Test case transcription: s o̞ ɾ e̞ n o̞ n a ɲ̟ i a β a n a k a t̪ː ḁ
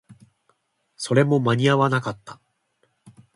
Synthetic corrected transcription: s o̞ ɾ e̞ m o̞ m a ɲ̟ i a β a n a k a t̪ː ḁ